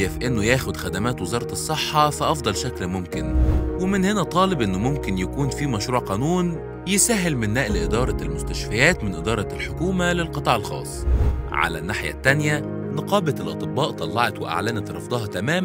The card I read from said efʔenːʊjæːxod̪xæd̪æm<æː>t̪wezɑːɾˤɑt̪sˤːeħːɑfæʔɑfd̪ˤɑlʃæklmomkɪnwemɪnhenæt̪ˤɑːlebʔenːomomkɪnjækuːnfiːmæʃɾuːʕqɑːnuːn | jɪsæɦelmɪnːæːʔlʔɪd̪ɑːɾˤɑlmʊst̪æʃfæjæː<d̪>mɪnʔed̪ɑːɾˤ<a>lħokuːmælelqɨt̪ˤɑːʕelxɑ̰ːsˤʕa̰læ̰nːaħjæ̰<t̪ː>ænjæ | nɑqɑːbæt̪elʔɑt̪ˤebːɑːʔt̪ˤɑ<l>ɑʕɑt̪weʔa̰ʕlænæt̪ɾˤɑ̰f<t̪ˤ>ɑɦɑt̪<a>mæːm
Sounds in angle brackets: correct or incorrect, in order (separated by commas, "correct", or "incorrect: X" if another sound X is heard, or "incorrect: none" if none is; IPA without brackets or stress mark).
correct, incorrect: t̪, incorrect: ɑ, correct, incorrect: lː, incorrect: d̪ˤ, incorrect: æ